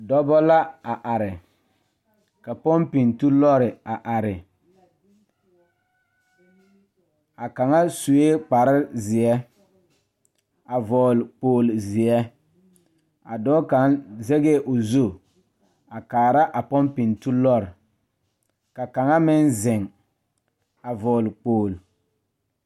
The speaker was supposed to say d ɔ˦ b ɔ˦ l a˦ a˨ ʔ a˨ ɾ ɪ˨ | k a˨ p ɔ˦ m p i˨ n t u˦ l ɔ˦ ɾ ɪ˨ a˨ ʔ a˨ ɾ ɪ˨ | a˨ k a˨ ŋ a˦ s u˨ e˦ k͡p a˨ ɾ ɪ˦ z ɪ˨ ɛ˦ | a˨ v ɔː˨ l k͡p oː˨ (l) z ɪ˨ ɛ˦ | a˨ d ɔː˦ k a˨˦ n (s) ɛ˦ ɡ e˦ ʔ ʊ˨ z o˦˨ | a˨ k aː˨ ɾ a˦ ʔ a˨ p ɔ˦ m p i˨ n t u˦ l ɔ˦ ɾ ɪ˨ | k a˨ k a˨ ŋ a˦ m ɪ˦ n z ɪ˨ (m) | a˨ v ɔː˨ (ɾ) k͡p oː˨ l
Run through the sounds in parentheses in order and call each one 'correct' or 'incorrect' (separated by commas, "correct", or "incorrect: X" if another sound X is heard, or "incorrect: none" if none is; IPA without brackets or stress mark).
correct, incorrect: z, incorrect: ŋ, incorrect: l